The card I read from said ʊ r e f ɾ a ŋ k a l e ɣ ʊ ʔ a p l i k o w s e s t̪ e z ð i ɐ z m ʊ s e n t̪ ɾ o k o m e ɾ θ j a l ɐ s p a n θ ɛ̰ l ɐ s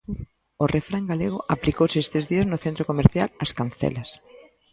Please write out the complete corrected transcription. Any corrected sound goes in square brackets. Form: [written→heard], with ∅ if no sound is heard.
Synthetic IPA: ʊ r e f ɾ a ŋ [k→ɡ] a l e ɣ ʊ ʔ a p l i k o w s e s t̪ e z ð i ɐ z [m→n] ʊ [s→θ] e n t̪ ɾ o k o m e ɾ θ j a l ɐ s [p→k] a n θ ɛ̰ l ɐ s